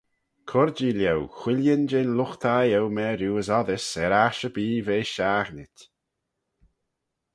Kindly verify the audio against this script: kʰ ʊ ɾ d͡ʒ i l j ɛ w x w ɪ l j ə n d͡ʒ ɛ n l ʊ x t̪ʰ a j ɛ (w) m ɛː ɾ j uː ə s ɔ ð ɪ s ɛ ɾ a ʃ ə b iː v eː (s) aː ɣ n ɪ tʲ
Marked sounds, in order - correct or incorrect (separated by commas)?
correct, incorrect